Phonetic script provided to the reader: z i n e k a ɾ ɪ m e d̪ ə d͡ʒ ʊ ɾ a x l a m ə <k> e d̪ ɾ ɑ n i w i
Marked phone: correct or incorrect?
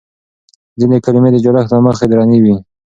incorrect